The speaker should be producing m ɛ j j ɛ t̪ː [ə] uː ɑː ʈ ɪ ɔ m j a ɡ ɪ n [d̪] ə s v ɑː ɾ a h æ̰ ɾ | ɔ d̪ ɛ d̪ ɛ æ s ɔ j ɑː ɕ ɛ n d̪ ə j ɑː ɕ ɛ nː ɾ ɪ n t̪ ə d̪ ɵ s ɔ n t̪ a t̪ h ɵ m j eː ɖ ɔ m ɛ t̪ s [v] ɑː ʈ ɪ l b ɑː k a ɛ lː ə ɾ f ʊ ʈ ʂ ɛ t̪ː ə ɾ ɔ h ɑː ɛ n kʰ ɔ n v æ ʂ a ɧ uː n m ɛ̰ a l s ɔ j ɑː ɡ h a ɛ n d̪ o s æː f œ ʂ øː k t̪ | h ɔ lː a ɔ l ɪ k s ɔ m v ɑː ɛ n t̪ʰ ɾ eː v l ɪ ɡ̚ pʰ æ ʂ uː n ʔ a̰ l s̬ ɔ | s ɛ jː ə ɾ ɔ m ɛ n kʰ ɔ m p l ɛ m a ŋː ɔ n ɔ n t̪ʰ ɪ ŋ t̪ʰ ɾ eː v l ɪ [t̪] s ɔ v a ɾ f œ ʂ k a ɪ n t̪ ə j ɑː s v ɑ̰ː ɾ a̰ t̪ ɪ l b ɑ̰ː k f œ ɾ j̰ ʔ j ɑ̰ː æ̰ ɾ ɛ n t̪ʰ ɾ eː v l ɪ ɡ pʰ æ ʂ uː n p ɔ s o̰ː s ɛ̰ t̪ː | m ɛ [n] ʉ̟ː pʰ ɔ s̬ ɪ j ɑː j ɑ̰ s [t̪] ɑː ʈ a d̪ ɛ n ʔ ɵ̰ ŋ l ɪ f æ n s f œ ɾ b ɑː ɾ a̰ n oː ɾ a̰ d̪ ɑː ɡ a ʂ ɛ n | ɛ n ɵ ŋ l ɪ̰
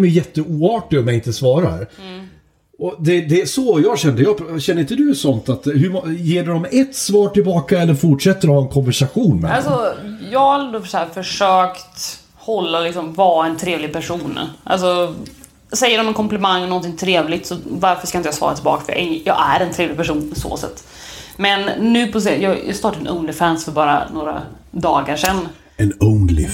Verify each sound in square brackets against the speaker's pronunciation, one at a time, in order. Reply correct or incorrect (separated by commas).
correct, incorrect, correct, correct, incorrect, correct